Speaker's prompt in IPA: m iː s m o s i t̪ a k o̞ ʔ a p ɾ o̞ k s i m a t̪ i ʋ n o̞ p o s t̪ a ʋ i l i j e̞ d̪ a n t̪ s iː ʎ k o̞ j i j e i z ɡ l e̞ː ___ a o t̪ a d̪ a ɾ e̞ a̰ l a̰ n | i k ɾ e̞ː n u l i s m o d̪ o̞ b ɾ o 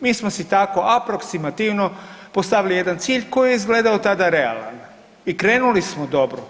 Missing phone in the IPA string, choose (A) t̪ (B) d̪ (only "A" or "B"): B